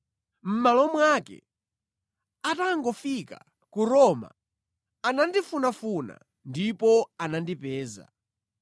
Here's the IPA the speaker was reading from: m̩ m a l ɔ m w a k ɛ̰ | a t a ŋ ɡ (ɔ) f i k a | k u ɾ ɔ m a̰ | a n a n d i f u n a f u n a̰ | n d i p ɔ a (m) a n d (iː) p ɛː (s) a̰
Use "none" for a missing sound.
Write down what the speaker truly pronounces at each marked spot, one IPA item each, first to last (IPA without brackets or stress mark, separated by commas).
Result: ɔ, n, i, z